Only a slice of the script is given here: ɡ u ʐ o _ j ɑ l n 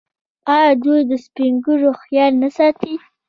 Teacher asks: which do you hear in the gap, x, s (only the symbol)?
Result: x